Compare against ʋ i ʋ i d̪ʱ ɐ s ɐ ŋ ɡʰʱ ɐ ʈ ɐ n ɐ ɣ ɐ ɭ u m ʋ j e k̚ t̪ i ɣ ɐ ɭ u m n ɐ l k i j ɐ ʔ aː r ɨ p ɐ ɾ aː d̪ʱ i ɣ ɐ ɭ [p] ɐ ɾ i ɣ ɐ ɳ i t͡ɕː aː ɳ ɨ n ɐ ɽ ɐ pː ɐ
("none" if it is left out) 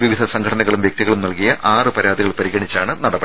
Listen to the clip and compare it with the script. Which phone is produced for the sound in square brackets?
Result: p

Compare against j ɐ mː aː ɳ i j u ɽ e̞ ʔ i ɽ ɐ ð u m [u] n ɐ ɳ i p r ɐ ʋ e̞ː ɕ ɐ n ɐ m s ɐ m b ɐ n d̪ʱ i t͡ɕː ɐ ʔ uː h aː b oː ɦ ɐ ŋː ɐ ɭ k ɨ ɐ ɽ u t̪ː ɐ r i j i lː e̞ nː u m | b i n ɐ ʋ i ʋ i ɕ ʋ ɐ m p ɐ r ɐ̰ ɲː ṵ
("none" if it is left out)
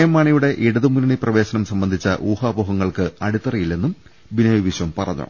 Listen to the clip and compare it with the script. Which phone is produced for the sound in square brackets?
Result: u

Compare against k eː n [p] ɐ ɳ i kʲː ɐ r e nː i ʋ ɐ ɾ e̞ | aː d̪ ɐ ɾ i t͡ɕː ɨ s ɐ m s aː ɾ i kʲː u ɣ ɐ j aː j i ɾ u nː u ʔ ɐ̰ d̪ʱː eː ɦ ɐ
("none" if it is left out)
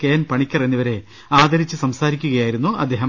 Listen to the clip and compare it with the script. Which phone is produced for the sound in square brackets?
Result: p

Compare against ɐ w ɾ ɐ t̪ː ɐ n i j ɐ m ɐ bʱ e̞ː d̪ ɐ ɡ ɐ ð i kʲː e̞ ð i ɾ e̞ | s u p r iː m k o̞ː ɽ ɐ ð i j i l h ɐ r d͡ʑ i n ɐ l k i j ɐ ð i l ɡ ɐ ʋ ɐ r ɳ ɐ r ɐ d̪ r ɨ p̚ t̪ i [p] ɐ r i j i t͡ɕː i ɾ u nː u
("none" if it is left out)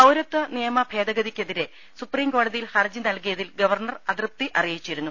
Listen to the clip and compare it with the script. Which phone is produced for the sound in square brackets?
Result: ʔ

